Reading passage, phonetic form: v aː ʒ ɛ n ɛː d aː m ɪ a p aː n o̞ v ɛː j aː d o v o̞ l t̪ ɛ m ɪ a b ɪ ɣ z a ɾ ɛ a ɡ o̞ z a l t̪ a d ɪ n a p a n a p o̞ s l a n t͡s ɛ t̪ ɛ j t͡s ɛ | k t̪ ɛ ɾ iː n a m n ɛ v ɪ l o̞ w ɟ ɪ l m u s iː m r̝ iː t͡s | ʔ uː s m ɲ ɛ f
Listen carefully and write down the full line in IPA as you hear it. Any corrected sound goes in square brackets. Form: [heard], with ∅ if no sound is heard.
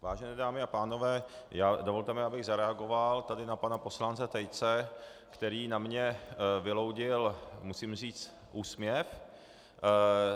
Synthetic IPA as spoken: v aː ʒ ɛ n ɛː d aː m ɪ a p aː n o̞ v ɛː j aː d o v o̞ l t̪ ɛ m ɪ a b ɪ ɣ z a ɾ ɛ a ɡ o̞ [v] a l t̪ a d ɪ n a p a n a p o̞ s l a n t͡s ɛ t̪ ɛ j t͡s ɛ | k t̪ ɛ ɾ iː n a m [ɲ] ɛ v ɪ l o̞ w ɟ ɪ l m u s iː m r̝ iː t͡s | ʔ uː s m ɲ ɛ f

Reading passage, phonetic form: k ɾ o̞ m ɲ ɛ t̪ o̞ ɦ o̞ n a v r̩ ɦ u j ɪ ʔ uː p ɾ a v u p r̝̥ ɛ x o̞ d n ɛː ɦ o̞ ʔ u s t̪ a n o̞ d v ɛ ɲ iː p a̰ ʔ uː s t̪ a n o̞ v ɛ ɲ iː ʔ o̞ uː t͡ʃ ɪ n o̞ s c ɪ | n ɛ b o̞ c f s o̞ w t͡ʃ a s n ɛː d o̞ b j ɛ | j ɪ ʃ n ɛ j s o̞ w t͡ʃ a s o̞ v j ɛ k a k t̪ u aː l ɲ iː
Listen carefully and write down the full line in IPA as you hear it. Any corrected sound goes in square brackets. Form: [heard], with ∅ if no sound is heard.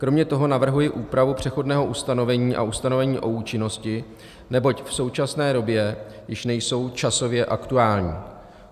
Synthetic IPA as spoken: k ɾ o̞ m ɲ ɛ t̪ o̞ ɦ o̞ n a v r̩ ɦ u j ɪ ʔ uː p ɾ a v u p r̝̥ ɛ x o̞ d n ɛː ɦ o̞ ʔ u s t̪ a n o̞ [∅] v ɛ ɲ iː [ʔ] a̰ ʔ [u] s t̪ a n o̞ v ɛ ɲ iː ʔ o̞ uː t͡ʃ ɪ n o̞ s c ɪ | n ɛ b o̞ c f s o̞ w t͡ʃ a s n ɛː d o̞ b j ɛ | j ɪ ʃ n ɛ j s o̞ w t͡ʃ a s o̞ v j ɛ [ʔ] a k t̪ u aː l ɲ iː

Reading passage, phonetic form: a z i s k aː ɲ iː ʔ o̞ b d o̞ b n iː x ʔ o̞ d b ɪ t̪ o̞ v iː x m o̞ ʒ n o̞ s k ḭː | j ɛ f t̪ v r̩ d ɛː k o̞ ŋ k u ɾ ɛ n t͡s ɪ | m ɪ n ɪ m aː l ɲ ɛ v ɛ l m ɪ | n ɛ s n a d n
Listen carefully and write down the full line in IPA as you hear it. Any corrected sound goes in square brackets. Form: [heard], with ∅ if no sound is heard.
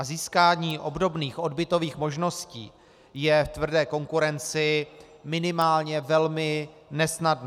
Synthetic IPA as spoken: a z [iː] s k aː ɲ iː ʔ o̞ b d o̞ b n iː x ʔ o̞ d b ɪ t̪ o̞ v iː x m o̞ ʒ n o̞ s [c] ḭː | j ɛ f t̪ v r̩ d ɛː k o̞ ŋ k u ɾ ɛ n t͡s ɪ | m ɪ n ɪ m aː l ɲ ɛ v ɛ l m ɪ | n ɛ s n a d n

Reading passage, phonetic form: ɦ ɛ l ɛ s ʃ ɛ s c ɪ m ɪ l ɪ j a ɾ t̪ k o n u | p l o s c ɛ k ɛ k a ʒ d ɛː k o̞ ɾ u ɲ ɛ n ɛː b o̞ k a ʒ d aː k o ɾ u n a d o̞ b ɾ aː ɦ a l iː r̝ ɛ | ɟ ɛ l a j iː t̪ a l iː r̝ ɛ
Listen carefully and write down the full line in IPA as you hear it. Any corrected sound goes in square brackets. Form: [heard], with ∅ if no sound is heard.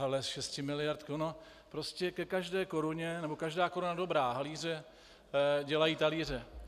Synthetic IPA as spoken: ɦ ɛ l ɛ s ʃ ɛ s c ɪ m ɪ l ɪ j a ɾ t̪ k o n [o] | p [ɾ] o s c ɛ k ɛ k a ʒ d ɛː k o̞ ɾ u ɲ ɛ n [ɛ] b o̞ k a ʒ d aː k o ɾ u n a d o̞ b ɾ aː ɦ a l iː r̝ ɛ | ɟ ɛ l a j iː t̪ a l iː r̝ ɛ

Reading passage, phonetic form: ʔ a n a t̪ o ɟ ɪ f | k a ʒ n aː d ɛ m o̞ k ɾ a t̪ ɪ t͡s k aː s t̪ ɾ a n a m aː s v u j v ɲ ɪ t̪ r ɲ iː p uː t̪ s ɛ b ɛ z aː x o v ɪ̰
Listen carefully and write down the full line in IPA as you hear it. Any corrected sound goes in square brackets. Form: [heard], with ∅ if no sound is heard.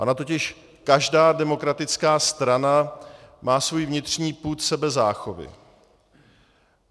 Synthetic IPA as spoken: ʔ a n a t̪ o [c] ɪ [ʃ] | k a ʒ [d] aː d ɛ m o̞ k ɾ a t̪ ɪ t͡s k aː s t̪ ɾ a n a m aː s v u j v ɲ ɪ t̪ r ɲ iː p uː t̪ s ɛ b ɛ z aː x o v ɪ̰

